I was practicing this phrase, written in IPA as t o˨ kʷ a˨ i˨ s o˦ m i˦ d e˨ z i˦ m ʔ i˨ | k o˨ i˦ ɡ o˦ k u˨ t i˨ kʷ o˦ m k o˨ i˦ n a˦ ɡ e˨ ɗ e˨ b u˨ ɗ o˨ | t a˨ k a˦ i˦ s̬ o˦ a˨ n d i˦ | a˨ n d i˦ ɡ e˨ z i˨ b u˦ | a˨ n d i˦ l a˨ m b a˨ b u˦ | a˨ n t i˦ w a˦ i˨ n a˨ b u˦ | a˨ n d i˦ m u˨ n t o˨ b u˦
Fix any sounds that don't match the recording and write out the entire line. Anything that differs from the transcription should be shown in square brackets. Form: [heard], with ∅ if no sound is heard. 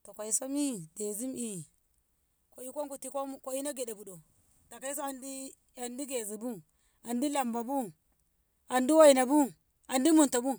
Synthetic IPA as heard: t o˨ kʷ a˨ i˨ s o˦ m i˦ d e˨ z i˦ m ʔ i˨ | k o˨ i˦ [k] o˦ k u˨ t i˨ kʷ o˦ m k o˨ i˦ n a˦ ɡ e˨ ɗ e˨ b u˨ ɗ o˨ | t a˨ k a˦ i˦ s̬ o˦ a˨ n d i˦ | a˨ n d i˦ ɡ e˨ z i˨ b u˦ | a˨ n d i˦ l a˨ m b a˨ b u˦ | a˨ n [d] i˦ w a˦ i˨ n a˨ b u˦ | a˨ n d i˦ m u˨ n t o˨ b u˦